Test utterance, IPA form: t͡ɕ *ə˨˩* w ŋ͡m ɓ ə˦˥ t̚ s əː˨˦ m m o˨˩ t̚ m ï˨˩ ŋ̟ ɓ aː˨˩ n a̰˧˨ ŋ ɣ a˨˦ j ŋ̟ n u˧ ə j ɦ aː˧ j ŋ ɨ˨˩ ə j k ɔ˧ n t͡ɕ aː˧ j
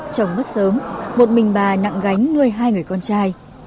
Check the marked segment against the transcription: correct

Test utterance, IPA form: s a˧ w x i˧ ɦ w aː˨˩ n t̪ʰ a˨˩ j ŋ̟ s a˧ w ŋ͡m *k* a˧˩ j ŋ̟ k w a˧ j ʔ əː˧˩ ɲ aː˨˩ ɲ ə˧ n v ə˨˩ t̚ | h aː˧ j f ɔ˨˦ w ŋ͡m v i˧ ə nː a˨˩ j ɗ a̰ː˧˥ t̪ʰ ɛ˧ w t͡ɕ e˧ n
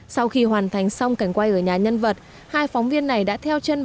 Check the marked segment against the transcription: correct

